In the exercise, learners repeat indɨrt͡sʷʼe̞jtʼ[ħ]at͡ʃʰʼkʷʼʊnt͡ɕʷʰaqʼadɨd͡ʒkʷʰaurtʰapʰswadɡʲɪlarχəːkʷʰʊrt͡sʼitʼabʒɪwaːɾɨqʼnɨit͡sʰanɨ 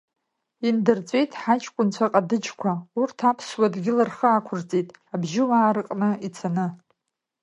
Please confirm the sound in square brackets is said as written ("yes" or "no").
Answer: yes